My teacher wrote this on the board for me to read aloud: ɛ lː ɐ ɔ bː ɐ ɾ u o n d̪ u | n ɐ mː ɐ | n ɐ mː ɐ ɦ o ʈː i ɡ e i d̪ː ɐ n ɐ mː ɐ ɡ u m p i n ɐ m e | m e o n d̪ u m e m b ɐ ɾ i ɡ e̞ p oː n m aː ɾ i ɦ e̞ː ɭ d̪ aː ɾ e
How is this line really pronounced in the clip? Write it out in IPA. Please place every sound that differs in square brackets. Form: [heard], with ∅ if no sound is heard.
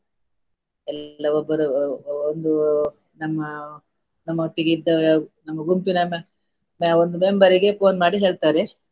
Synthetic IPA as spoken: ɛ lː ɐ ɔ bː ɐ ɾ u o n d̪ u | n ɐ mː ɐ | n ɐ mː ɐ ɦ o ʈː i ɡ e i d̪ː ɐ n ɐ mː ɐ ɡ u m p i n ɐ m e | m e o n d̪ u m e m b ɐ ɾ i ɡ e̞ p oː n m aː [ɽ] i ɦ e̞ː ɭ [t̪] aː ɾ e